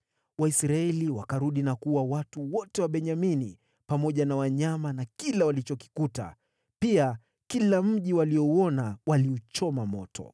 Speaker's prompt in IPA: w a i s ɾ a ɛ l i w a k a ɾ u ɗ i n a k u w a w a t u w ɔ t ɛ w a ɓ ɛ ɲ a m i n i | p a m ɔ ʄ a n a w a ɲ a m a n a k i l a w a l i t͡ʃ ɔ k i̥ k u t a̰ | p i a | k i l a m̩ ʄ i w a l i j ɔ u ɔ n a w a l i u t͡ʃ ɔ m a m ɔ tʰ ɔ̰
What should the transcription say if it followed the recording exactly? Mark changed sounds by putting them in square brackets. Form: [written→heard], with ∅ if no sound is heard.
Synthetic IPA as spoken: w a i s ɾ a ɛ l i w a k a ɾ u ɗ i n a k u w a w a t u w ɔ t ɛ w a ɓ ɛ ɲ a m i n i | p a m ɔ ʄ a n a w a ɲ a m a n a k i l a w a l i t͡ʃ ɔ k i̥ k u t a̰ | p i a | k i l a m̩ ʄ i w a l i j ɔ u ɔ n a w a l i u t͡ʃ ɔ m a m ɔ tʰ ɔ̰